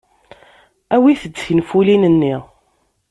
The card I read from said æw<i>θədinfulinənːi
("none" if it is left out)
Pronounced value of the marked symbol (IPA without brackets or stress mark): i